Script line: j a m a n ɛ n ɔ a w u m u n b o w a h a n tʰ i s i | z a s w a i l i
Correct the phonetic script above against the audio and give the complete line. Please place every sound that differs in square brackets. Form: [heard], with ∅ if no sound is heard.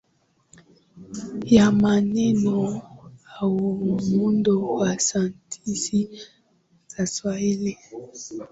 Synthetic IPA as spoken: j a m a n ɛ n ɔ a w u m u n [d] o w a [s] a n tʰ i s i | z a s w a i l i